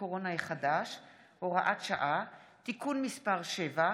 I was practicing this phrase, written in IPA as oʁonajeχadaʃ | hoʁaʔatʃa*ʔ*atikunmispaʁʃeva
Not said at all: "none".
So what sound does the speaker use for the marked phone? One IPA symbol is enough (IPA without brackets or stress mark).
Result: ʔ